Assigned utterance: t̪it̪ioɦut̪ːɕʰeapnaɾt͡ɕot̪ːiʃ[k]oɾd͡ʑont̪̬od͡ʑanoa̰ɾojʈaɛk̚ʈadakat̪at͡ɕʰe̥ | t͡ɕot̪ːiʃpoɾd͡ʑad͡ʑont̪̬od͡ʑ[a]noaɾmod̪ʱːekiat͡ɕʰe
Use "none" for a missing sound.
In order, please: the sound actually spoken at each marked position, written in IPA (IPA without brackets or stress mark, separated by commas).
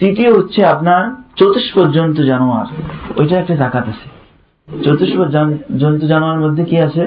p, a